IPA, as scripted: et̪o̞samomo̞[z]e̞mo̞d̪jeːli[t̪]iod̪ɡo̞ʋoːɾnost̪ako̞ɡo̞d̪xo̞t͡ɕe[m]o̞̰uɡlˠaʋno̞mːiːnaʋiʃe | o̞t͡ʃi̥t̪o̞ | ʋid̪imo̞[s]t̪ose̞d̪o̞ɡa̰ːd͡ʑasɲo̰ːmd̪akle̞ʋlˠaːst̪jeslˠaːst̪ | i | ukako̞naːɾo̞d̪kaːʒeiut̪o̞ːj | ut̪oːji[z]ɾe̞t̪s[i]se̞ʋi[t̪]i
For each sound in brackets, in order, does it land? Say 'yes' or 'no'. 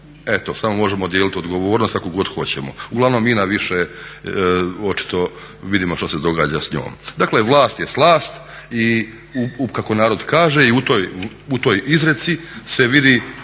no, yes, yes, no, yes, yes, no

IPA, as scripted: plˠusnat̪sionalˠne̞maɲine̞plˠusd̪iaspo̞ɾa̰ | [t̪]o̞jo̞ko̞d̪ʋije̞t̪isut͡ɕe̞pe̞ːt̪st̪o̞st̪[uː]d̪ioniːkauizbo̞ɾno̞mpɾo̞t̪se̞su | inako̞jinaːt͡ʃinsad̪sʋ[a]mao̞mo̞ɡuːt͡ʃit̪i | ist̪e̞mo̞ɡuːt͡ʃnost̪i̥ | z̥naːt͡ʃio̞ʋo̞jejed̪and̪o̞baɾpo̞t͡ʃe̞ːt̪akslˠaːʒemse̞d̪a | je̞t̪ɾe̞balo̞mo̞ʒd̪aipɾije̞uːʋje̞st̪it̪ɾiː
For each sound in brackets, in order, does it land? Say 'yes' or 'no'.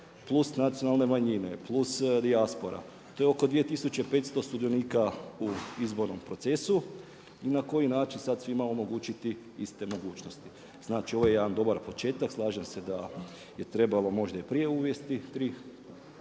yes, no, no

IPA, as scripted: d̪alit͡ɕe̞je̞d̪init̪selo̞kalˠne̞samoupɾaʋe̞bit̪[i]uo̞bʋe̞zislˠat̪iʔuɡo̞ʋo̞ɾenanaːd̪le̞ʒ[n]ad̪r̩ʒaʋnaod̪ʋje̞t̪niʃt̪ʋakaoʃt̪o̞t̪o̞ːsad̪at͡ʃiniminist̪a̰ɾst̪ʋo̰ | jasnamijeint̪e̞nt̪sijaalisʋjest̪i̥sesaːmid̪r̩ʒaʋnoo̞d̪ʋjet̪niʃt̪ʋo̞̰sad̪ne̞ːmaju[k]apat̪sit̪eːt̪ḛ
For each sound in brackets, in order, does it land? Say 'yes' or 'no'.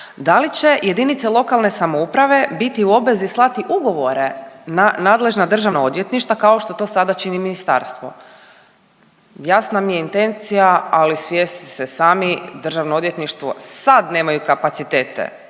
yes, yes, yes

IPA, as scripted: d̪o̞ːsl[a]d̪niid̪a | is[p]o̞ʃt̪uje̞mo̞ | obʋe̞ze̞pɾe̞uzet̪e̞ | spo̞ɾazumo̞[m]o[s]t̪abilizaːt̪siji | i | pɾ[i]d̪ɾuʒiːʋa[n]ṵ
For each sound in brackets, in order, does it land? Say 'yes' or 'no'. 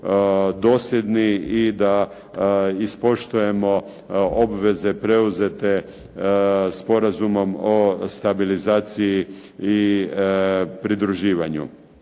no, yes, yes, yes, yes, no

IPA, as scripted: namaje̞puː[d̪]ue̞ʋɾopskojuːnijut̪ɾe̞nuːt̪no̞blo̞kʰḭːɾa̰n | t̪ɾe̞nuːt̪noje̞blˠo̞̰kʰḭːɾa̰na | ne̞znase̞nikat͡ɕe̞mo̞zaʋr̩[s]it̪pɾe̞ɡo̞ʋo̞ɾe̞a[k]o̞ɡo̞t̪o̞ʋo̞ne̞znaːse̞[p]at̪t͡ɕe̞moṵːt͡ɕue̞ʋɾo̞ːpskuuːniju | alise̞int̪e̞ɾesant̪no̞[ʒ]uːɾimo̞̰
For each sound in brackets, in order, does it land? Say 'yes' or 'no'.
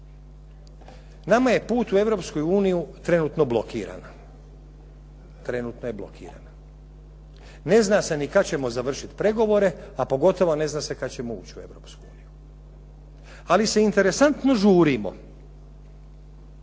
no, no, no, no, yes

